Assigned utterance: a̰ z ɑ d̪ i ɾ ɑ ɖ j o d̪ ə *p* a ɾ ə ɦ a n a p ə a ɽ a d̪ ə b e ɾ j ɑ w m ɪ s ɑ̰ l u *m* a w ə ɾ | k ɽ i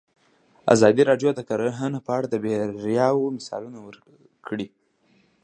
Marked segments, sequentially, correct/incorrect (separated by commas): incorrect, incorrect